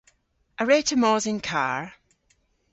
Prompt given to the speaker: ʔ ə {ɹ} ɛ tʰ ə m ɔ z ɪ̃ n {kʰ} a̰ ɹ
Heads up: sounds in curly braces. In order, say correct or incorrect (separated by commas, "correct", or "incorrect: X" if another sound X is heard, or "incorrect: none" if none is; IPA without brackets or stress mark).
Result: correct, correct